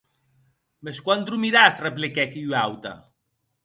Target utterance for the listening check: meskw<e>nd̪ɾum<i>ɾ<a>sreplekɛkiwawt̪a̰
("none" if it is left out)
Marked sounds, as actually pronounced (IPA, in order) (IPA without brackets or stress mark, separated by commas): a, i, a